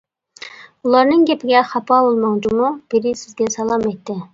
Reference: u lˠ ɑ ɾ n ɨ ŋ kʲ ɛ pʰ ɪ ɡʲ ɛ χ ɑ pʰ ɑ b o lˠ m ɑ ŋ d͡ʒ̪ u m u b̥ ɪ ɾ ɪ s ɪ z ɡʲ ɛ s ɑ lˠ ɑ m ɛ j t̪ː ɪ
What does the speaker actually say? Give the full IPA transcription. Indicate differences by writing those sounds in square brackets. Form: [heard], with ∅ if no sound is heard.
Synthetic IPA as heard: u lˠ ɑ ɾ n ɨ ŋ [ɡʲ] ɛ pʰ ɪ ɡʲ ɛ χ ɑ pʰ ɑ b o lˠ m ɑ ŋ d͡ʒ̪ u m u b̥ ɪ ɾ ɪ s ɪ z ɡʲ ɛ s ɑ lˠ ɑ m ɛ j t̪ː ɪ